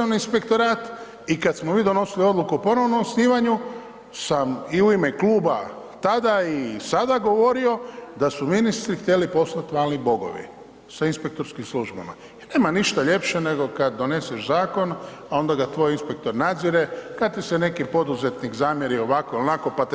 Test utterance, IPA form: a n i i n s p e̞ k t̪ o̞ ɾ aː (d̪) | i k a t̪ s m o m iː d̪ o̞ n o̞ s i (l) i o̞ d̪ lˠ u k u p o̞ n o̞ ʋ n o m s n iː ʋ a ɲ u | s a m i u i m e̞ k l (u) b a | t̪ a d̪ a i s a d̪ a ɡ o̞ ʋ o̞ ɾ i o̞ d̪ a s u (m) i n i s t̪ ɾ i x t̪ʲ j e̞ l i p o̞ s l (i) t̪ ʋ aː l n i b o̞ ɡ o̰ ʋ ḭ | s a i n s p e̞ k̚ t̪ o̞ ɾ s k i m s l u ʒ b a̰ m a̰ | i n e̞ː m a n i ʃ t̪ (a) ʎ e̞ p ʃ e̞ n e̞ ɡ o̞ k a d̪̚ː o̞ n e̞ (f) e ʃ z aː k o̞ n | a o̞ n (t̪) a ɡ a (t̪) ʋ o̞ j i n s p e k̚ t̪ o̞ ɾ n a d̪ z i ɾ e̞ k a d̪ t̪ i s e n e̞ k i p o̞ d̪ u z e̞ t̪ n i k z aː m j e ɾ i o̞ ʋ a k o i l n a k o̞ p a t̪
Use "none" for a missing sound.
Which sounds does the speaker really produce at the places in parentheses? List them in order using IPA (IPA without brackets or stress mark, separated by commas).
t̪, l, uː, m, a, a, s, d̪, t̪